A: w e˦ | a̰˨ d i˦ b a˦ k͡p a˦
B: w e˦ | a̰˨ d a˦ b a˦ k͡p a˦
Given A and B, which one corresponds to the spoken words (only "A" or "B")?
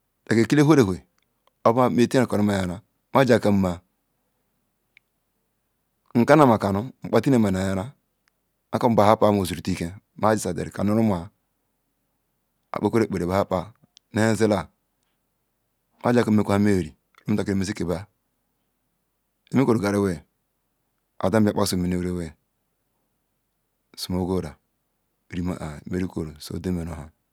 B